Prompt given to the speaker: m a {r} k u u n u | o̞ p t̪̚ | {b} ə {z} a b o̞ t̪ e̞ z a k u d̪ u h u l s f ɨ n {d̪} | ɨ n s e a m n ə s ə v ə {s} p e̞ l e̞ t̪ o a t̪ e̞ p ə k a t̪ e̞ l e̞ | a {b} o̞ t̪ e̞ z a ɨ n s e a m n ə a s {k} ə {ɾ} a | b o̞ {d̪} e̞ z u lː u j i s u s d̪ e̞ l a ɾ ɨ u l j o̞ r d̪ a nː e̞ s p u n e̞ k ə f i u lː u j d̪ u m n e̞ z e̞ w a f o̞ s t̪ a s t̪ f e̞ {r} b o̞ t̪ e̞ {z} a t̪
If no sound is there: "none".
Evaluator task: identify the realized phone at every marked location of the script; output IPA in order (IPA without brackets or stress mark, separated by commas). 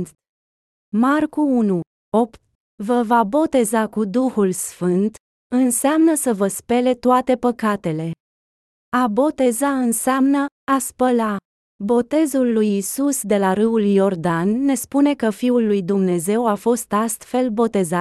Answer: r, v, v, t̪, s, b, p, l, t̪, l, z